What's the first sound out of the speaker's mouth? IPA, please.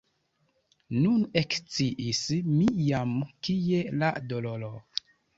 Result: n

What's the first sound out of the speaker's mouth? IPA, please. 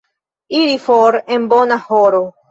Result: i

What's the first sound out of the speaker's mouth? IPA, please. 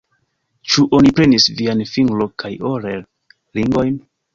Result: t͡ʃ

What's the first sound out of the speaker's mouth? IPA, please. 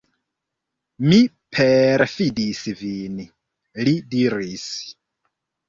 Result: m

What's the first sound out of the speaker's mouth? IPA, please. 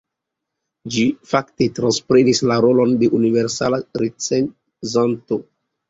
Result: d͡ʒ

